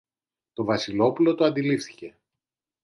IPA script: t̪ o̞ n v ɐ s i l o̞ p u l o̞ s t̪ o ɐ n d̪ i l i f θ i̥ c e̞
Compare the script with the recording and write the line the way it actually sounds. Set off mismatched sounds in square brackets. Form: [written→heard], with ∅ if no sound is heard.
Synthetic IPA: t̪ o̞ [n→∅] v ɐ s i l o̞ p u l o̞ [s→∅] t̪ o ɐ n d̪ i l i f θ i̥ c e̞

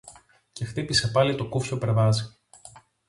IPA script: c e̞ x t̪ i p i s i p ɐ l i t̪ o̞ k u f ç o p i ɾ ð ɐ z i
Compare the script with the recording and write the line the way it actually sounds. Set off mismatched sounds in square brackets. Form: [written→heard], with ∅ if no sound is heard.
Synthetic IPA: c e̞ x t̪ i p i s [i→e] p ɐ l i t̪ o̞ k u f ç o p [i→e] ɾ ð ɐ z i

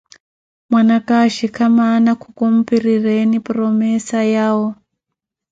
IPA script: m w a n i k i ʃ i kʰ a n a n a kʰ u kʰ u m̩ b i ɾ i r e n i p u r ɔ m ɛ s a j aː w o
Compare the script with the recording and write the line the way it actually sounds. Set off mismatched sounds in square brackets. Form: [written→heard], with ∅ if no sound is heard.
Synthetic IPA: m w a n [i→a] k [i→a] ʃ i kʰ a [n→m] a n a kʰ u [kʰ→k] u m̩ [b→p] i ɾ i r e n i p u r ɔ m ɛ s a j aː w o

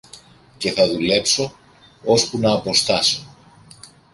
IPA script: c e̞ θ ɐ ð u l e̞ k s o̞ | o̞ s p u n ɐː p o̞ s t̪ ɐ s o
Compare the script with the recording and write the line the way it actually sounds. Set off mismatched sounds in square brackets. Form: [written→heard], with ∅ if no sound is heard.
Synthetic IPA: c e̞ θ ɐ ð u l e̞ [k→p] s o̞ | o̞ s p u n ɐː p o̞ s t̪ ɐ s o

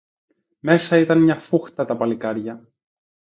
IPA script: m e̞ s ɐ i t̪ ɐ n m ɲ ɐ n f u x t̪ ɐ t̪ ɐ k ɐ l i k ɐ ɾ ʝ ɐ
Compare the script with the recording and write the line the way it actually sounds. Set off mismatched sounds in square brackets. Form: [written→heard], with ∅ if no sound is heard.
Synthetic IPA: m e̞ s ɐ i t̪ ɐ n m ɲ ɐ [n→∅] f u x t̪ ɐ t̪ ɐ [k→p] ɐ l i k ɐ ɾ ʝ ɐ

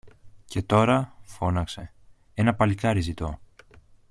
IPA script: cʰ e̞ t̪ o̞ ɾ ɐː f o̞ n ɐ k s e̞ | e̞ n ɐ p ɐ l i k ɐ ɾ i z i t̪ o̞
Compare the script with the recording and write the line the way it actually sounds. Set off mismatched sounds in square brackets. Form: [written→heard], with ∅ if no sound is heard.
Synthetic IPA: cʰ e̞ t̪ o̞ ɾ [ɐː→ɐ] f o̞ n ɐ k s e̞ | e̞ n ɐ p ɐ l i k ɐ ɾ i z i t̪ o̞

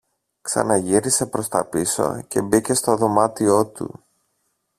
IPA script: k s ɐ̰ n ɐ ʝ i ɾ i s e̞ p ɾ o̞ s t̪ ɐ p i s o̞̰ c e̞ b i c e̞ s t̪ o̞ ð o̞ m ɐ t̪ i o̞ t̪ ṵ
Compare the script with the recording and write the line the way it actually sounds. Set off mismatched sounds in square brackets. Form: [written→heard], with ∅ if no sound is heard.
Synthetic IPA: k s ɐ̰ n ɐ ʝ i ɾ i s e̞ p ɾ o̞ s t̪ ɐ p i s o̞̰ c e̞ b i c e̞ s t̪ o̞ ð o̞ m ɐ t̪ i o̞ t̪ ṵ

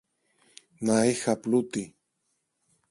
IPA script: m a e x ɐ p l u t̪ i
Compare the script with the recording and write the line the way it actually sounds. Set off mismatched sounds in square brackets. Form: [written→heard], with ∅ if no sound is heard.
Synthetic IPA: [m→n] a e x [ɐ→a] p l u t̪ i

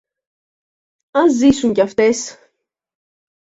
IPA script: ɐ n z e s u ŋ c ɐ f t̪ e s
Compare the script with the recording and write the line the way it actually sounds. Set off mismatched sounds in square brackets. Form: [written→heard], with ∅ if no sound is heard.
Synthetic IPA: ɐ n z [e→i] s u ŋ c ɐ f t̪ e s

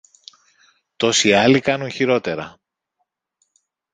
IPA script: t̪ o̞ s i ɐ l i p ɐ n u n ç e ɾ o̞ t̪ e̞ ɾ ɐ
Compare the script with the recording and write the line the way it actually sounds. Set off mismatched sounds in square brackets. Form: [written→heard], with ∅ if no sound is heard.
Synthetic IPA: t̪ o̞ s i ɐ l i [p→k] ɐ n u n ç [e→i] ɾ o̞ t̪ e̞ ɾ ɐ

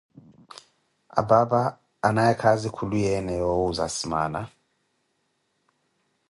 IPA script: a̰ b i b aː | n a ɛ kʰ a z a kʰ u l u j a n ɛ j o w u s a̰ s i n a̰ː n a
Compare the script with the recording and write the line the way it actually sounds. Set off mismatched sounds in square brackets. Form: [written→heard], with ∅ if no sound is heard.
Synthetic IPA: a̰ b [i→a] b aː | n a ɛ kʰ a z [a→i] kʰ u l u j [a→ɛ] n ɛ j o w u [s→z] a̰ s i [n→m] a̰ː n a

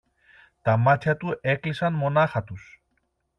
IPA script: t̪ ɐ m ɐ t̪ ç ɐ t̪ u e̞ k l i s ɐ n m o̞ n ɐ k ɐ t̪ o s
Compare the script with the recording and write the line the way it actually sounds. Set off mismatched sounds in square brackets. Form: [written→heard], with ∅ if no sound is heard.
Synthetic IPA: t̪ ɐ m ɐ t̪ ç ɐ t̪ u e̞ k l i s ɐ n m o̞ n ɐ [k→x] ɐ t̪ [o→u] s

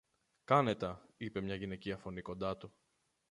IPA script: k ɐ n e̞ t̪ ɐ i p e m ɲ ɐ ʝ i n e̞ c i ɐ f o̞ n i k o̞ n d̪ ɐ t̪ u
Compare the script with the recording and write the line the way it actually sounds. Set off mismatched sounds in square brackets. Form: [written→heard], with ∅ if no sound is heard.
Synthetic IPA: k ɐ n e̞ t̪ ɐ i p e m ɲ ɐ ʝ i n e̞ c i ɐ f o̞ n i k o̞ n d̪ ɐ t̪ u

